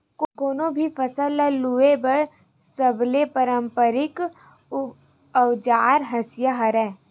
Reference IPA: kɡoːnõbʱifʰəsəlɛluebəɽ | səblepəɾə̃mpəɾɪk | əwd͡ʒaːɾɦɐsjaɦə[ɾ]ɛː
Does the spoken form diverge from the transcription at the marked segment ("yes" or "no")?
no